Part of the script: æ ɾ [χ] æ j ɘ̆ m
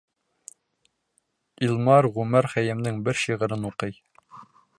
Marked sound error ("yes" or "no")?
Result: no